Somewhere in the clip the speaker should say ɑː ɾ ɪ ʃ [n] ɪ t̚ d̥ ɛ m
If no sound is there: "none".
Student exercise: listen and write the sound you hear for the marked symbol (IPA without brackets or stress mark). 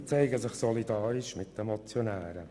m